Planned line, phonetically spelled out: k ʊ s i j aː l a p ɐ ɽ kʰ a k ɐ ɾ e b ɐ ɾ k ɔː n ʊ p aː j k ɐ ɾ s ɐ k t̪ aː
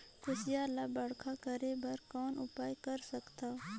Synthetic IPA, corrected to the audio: k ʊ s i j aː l a b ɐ ɽ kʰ a k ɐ ɾ e b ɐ ɾ k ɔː n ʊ p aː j k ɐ ɾ s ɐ k t̪ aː

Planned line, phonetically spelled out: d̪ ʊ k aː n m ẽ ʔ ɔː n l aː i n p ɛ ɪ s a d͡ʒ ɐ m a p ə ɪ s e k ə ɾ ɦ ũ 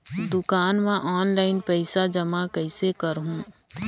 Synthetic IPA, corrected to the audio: d̪ ʊ k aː n m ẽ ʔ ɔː n l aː ɪ n p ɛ ɪ s a d͡ʒ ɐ m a k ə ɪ s e k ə ɾ ɦ ũ

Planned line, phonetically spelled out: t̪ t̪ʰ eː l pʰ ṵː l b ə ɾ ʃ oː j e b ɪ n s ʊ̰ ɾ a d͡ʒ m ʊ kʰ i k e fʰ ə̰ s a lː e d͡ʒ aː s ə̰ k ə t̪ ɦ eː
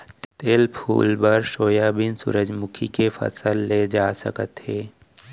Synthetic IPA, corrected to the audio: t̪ t̪ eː l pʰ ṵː l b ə ɾ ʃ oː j a b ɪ n s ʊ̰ ɾ ə d͡ʒ m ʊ kʰ i k e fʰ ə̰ s ə lː e d͡ʒ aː s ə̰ k ə t̪ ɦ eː

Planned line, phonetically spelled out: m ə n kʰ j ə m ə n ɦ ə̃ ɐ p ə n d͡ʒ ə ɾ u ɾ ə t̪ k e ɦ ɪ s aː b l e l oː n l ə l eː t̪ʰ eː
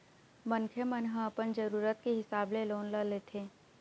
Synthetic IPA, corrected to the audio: m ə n kʰ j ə m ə n ɦ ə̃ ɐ p ə n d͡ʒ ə ɾ uː ɾ ə t̪ k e ɦ ɪ s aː b l e l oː n l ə l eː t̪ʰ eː

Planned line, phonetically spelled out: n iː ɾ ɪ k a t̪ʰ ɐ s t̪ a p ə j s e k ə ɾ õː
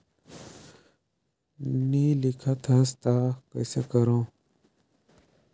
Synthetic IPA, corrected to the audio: n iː l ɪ kʰ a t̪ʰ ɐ s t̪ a k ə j s e k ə ɾ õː

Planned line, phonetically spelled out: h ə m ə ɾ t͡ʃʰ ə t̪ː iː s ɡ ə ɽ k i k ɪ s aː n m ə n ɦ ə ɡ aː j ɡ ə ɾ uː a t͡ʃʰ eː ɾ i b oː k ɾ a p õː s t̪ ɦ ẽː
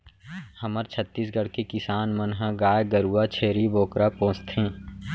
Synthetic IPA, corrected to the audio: h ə m ə ɾ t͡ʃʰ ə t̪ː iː s ɡ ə ɽ k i k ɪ s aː n m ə n ɦ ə ɡ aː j ɡ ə ɾ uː a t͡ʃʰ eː ɾ i b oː k ɾ a p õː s t̪ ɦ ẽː

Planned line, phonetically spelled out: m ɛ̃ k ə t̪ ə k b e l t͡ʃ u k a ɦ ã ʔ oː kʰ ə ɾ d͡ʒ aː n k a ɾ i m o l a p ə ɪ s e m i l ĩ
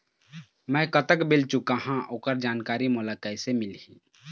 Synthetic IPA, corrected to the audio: m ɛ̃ k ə t̪ ə k b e l t͡ʃ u k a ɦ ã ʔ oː k ə ɾ d͡ʒ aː n k a ɾ i m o l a k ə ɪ s e m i l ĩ

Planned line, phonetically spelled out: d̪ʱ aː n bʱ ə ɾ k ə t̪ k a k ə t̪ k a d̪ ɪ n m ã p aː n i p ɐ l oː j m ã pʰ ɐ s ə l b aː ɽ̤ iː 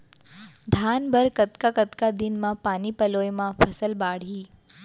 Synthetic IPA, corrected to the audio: d̪ʱ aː n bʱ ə ɾ k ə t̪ k a k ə t̪ k a d̪ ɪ n m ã p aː n i p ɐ l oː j m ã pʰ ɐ s ə l b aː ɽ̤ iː

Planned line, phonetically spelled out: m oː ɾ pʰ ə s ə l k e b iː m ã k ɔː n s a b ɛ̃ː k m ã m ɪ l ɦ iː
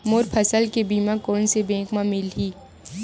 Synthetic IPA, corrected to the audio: m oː ɾ pʰ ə s ə l k e b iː m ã k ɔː n s e b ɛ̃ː k m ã m ɪ l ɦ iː

